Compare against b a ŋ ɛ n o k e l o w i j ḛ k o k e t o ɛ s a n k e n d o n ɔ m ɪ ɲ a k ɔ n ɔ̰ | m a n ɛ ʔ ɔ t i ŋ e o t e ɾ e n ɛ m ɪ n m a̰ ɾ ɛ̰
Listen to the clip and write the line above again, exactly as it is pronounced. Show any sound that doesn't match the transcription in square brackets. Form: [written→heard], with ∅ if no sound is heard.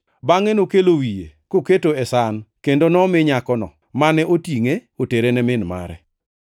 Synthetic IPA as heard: b a ŋ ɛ n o k e l o w i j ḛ k o k e t o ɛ s a n k e n d o n ɔ m ɪ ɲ a k ɔ n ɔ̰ | m a n ɛ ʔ [ɔ→o] t i ŋ e o t e ɾ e n ɛ m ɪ n m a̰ ɾ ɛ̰